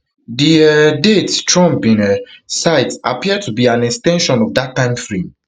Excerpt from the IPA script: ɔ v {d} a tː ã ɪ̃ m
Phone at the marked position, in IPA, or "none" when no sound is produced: d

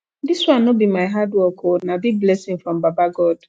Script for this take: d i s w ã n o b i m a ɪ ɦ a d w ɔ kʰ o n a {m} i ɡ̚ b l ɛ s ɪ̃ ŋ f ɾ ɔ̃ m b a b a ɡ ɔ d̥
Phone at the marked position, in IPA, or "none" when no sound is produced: b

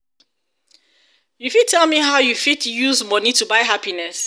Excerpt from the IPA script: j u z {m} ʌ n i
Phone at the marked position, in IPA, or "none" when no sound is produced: m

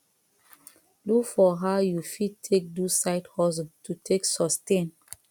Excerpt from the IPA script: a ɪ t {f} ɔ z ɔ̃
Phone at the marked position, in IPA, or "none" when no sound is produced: h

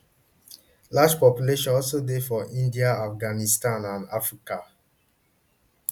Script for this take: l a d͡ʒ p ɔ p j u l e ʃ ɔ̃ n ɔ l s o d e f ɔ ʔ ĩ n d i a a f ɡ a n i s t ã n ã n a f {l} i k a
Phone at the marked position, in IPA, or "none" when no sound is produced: ɹ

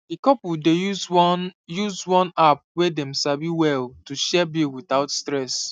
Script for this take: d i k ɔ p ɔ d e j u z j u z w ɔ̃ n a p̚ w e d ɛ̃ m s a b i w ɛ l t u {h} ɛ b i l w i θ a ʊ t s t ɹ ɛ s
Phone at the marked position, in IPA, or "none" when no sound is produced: ʃ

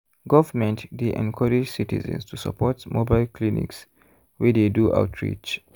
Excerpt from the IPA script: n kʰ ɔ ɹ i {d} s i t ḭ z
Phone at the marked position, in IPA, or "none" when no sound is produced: d͡ʒ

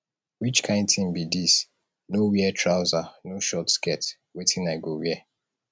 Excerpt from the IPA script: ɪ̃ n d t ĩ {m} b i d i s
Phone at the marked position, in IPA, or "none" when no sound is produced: m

